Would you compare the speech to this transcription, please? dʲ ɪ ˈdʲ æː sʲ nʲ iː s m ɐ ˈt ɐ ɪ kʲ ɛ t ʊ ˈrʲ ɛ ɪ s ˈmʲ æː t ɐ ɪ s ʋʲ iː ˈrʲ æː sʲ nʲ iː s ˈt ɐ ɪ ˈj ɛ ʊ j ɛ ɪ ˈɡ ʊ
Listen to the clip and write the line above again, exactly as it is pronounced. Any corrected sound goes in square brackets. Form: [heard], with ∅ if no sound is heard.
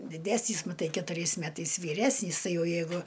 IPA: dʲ ɪ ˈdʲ æː sʲ nʲ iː s m ɐ ˈt ɐ ɪ kʲ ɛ t ʊ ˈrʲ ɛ ɪ s ˈmʲ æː t ɐ ɪ s ʋʲ iː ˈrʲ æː sʲ nʲ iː s ˈt ɐ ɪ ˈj ɛ ʊ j ɛ ɪ ˈɡ ʊ